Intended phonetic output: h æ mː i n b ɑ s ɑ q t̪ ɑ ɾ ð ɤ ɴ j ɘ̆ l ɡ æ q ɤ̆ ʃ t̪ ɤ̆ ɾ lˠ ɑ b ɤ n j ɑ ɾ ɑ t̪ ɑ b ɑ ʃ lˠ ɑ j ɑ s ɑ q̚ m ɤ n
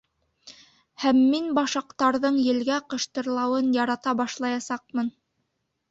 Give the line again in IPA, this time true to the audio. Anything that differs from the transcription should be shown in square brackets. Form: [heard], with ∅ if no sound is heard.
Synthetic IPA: h æ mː i n b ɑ [ʃ] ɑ q t̪ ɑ ɾ ð ɤ ɴ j ɘ̆ l ɡ æ q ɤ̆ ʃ t̪ ɤ̆ ɾ lˠ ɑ [w] ɤ n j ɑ ɾ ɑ t̪ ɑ b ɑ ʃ lˠ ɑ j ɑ s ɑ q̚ m ɤ n